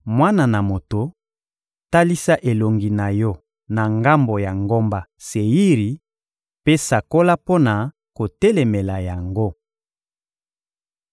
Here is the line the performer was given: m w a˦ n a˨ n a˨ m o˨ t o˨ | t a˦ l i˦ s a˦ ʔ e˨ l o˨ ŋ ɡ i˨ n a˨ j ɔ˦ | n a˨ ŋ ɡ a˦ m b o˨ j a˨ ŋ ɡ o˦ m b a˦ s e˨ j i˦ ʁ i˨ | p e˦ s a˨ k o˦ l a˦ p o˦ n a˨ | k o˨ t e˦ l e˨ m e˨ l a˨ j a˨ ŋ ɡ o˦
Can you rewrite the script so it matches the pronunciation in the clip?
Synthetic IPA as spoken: m w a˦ n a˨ n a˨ m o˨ t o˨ | t a˦ l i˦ s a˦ ʔ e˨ l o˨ ŋ ɡ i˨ n a˨ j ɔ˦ | n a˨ ŋ ɡ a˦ m b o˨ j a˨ ŋ ɡ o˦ m b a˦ s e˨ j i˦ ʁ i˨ | p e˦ s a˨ k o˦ l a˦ p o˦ n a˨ | k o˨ t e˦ l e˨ m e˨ l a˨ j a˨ ŋ ɡ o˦